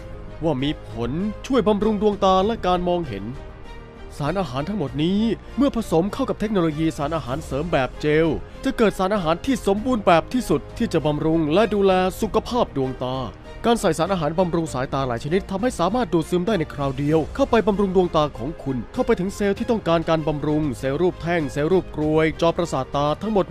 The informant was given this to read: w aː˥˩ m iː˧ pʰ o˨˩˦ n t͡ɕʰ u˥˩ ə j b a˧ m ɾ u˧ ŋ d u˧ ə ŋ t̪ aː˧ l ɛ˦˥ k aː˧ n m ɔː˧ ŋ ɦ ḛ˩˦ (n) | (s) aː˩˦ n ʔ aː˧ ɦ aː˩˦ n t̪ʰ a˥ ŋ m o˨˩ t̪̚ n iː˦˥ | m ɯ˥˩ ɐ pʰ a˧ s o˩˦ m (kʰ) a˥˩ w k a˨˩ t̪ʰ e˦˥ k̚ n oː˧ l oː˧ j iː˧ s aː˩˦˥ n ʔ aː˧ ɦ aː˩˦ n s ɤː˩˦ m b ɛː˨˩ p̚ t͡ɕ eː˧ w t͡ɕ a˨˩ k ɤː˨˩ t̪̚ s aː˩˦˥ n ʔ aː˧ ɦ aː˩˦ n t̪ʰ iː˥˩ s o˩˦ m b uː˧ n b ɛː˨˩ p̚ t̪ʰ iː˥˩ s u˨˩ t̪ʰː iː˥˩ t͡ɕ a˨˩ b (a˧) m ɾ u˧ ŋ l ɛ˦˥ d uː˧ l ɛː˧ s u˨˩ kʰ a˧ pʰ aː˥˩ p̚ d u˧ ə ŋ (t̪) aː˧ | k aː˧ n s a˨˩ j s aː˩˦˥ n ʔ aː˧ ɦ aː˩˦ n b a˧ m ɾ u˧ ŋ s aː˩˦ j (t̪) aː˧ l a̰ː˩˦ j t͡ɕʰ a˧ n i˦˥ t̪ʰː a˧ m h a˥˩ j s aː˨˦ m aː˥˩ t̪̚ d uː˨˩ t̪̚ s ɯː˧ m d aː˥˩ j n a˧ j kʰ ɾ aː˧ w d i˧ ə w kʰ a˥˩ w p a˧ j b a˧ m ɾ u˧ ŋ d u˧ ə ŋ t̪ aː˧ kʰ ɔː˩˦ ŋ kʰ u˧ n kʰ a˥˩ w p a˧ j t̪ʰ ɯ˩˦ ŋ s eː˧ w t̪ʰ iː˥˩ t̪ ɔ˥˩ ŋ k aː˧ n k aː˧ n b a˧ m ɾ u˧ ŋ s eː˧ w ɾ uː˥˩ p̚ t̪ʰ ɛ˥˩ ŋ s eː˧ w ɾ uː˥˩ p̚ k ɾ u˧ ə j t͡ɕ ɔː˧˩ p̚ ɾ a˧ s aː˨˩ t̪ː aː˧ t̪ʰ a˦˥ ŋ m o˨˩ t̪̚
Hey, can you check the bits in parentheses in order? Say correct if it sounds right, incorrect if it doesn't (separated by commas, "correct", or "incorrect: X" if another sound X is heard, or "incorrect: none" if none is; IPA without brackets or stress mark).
correct, correct, correct, correct, correct, correct